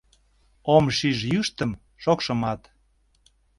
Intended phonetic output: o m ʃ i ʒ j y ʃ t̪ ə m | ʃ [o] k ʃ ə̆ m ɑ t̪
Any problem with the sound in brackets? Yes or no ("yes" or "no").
no